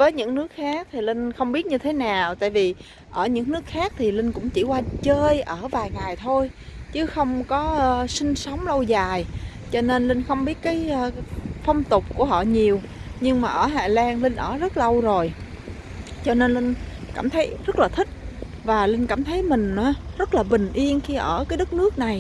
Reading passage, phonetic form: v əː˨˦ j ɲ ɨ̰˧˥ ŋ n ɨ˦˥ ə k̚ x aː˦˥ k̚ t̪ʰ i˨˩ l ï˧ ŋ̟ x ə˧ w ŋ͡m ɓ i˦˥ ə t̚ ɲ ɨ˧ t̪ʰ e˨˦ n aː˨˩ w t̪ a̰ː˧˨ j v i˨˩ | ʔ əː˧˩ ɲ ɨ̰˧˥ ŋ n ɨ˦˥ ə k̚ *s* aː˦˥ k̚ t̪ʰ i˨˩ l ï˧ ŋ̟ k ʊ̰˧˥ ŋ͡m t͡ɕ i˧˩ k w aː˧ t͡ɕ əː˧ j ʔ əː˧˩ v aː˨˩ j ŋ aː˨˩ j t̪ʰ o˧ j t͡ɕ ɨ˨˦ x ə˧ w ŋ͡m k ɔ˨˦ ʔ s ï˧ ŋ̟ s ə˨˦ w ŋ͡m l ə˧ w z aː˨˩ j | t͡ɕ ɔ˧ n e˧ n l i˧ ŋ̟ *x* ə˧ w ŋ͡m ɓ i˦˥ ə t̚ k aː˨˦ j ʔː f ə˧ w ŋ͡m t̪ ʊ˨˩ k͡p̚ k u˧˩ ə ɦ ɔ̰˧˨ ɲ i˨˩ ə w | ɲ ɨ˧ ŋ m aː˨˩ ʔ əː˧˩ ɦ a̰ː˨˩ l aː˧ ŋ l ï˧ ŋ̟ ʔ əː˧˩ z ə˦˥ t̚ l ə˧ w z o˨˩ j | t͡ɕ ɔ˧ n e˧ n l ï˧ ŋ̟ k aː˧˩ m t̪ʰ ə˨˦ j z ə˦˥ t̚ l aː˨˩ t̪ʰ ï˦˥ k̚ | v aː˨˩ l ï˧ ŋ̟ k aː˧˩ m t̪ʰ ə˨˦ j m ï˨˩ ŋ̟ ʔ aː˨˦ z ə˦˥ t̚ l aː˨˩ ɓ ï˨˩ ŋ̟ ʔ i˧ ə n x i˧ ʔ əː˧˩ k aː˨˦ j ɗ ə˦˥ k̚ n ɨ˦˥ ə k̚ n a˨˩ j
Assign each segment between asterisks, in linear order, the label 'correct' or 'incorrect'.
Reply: incorrect: x, correct

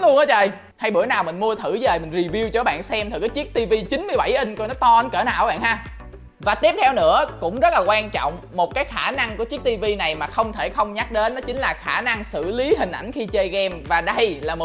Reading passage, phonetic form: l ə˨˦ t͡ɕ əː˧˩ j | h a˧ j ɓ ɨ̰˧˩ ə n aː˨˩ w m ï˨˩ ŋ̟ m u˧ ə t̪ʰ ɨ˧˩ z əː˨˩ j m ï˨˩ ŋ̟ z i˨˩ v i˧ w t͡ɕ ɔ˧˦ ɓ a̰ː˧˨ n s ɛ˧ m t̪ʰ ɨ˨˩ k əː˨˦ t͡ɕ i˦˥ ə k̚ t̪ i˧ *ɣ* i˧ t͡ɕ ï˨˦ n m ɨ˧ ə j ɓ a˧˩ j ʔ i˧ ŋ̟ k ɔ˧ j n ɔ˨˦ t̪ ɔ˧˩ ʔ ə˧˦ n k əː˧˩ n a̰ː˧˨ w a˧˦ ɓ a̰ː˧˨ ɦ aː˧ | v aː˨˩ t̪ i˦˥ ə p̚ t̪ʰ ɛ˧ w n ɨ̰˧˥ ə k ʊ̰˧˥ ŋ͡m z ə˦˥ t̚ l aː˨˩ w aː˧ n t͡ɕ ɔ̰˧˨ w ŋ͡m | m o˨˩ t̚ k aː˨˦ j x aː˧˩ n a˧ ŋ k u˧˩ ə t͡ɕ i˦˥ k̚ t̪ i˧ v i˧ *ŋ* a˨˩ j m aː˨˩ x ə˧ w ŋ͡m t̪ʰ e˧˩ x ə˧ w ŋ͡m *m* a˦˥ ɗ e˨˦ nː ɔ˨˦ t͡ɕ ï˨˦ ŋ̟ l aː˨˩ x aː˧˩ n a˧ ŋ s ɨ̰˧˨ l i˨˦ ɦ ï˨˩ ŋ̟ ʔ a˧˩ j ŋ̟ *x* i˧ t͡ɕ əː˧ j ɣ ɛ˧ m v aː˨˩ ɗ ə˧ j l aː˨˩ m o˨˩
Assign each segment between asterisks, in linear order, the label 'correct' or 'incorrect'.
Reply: incorrect: v, incorrect: n, incorrect: ɲ, correct

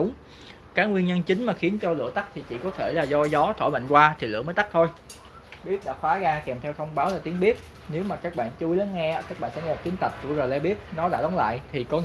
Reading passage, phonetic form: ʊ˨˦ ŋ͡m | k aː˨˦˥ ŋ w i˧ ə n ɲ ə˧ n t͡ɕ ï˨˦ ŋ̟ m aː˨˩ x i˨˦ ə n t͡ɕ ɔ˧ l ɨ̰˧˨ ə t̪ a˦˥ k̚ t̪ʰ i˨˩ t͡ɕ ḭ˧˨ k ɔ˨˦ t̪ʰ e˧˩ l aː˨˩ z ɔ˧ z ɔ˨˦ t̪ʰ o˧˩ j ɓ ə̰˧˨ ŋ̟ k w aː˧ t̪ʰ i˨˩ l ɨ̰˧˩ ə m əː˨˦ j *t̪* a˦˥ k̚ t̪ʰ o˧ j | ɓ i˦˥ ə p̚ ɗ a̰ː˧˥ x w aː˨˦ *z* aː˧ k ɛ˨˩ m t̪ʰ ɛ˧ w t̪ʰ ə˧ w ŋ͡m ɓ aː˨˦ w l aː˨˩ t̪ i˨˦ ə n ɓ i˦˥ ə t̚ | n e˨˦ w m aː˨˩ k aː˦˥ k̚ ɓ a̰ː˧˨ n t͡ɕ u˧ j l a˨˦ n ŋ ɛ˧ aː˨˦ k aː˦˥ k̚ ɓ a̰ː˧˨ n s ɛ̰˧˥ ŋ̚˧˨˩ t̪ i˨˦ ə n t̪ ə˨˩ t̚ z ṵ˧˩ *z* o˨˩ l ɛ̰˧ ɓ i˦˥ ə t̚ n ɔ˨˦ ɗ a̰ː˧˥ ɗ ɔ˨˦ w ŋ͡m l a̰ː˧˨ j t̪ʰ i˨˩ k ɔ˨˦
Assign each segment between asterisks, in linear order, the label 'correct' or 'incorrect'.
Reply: correct, incorrect: ɣ, correct

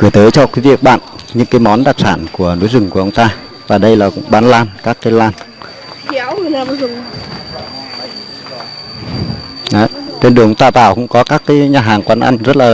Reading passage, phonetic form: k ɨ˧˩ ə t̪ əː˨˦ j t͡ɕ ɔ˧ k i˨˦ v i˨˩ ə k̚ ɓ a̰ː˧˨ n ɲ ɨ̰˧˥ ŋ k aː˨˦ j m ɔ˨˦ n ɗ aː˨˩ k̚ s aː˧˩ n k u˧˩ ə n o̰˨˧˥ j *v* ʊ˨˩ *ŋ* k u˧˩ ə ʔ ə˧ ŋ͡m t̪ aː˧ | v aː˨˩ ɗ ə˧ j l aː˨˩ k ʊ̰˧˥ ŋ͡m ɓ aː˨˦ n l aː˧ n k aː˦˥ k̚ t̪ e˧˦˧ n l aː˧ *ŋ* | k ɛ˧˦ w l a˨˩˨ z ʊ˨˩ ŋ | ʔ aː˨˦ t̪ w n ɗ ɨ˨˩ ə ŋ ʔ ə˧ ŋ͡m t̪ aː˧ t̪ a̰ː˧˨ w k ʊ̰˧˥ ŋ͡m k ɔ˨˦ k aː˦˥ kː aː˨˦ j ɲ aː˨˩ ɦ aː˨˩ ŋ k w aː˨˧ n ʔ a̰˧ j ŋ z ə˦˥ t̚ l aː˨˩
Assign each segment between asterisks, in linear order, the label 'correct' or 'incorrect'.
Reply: incorrect: z, correct, incorrect: n

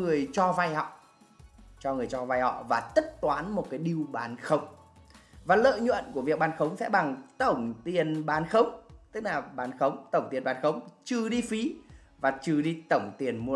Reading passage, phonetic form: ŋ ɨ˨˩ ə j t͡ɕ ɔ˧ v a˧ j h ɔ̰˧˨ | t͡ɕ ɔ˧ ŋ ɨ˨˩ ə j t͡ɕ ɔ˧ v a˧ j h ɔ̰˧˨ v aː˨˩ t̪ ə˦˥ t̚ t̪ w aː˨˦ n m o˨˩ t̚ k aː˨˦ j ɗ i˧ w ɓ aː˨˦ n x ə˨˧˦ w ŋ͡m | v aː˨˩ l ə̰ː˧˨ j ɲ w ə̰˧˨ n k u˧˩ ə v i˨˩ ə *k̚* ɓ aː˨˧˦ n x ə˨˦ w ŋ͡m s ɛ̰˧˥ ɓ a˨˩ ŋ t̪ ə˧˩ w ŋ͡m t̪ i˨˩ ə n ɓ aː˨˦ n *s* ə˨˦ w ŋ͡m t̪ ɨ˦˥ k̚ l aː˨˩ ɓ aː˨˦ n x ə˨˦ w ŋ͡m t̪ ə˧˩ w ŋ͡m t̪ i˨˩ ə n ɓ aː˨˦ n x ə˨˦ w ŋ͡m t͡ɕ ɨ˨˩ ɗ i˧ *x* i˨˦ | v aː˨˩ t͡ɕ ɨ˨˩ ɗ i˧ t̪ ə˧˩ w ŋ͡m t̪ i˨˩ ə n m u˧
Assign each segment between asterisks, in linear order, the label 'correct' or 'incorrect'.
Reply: correct, incorrect: x, incorrect: f

